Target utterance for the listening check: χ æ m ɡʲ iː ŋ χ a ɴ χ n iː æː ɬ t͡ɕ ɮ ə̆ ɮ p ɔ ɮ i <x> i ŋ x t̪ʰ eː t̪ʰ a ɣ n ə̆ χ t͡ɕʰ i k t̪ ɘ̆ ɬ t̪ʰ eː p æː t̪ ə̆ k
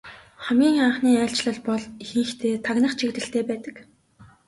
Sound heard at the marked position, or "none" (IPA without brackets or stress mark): x